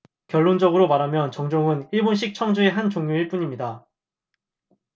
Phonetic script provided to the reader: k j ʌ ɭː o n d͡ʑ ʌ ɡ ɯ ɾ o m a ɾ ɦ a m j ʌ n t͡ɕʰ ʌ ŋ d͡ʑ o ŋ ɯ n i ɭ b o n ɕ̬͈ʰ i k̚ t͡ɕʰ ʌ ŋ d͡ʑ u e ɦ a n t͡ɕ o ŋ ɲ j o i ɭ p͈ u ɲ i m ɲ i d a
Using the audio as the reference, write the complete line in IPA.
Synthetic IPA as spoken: k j ʌ ɭː o n d͡ʑ ʌ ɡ ɯ ɾ o m a ɾ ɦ a m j ʌ n t͡ɕ ʌ ŋ d͡ʑ o ŋ ɯ n i ɭ b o n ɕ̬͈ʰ i k̚ t͡ɕʰ ʌ ŋ d͡ʑ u e ɦ a n t͡ɕ o ŋ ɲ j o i ɭ p͈ u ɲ i m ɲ i d a

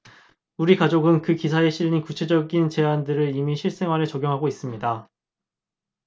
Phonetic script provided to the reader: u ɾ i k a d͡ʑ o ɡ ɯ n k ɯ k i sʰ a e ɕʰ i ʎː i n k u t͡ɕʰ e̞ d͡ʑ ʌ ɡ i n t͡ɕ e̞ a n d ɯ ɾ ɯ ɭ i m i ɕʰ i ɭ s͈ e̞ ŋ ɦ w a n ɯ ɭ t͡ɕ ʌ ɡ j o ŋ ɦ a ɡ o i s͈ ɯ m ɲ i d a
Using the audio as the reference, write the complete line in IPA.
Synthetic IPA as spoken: u ɾ i k a d͡ʑ o ɡ ɯ n k ɯ k i sʰ a e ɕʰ i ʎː i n k u t͡ɕʰ e̞ d͡ʑ ʌ ɡ i n t͡ɕ e̞ a n d ɯ ɾ ɯ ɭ i m i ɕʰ i ɭ s͈ e̞ ŋ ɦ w a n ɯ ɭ t͡ɕ ʌ ɡ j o ŋ ɦ a ɡ o i s͈ ɯ m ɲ i d a

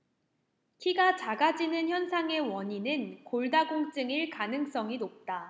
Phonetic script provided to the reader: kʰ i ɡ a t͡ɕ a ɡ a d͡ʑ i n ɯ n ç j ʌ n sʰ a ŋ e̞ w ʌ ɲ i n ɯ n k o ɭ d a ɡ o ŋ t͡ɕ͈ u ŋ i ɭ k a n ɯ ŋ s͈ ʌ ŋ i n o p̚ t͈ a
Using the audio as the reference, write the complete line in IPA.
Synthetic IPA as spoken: kʰ i ɡ a t͡ɕ a ɡ a d͡ʑ i n ɯ n ç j ʌ n sʰ a ŋ e̞ w ʌ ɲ i n ɯ n k o ɭ d a ɡ o ŋ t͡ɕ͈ ɯ ŋ i ɭ k a n ɯ ŋ s͈ ʌ ŋ i n o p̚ t͈ a

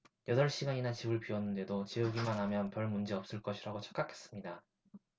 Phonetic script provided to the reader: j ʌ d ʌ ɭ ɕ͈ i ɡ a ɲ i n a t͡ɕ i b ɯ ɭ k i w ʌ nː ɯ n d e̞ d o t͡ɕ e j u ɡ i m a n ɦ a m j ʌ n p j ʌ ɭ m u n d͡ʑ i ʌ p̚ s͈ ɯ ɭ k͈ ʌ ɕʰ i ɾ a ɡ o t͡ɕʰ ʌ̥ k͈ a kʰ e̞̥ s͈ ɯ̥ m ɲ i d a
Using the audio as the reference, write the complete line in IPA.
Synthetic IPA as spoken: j ʌ d ʌ ɭ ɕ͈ i ɡ a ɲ i n a t͡ɕ i b ɯ ɭ p i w ʌ nː ɯ n d e̞ d o t͡ɕ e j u ɡ i m a n ɦ a m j ʌ n p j ʌ ɭ m u n d͡ʑ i ʌ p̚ s͈ ɯ ɭ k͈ ʌ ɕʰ i ɾ a ɡ o t͡ɕʰ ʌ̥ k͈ a kʰ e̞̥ s͈ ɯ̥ m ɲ i d a

